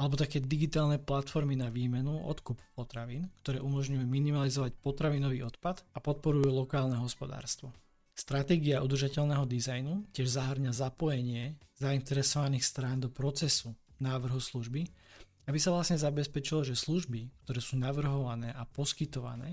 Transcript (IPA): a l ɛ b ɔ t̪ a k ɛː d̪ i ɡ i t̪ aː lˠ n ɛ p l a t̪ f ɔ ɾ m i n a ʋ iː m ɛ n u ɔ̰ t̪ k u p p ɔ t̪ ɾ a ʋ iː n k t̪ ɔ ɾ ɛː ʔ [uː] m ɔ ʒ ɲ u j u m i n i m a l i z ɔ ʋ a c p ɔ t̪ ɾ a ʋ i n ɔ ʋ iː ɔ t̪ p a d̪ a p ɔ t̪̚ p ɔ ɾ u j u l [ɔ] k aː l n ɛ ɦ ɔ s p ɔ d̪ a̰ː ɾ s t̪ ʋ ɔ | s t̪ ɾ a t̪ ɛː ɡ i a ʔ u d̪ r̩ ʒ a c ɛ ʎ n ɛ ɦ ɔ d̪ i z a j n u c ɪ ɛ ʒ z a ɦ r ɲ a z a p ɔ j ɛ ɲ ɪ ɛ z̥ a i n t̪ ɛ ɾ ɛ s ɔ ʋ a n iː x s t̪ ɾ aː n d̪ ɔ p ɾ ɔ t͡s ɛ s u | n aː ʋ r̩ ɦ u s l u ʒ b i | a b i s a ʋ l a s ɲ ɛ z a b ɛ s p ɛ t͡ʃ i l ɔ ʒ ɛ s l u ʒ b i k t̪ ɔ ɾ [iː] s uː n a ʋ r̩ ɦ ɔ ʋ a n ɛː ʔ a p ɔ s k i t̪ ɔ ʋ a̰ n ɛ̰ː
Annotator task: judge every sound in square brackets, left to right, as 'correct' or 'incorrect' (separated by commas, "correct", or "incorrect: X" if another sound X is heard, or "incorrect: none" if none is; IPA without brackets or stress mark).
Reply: incorrect: u, correct, incorrect: ɛː